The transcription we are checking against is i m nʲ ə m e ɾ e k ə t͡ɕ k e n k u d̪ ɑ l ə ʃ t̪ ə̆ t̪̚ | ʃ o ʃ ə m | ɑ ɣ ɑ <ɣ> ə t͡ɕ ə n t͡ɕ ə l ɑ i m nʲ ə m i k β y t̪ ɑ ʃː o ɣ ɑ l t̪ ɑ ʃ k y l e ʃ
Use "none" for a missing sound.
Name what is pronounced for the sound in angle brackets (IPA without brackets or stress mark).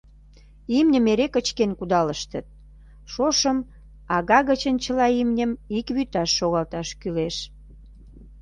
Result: ɣ